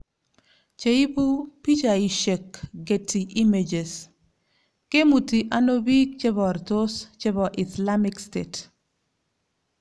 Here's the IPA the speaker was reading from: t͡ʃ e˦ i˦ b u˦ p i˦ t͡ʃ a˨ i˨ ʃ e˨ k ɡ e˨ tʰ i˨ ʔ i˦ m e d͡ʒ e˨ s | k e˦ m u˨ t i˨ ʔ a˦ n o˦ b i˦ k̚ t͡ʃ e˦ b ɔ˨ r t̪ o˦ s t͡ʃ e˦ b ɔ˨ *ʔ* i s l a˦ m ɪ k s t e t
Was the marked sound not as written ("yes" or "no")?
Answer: no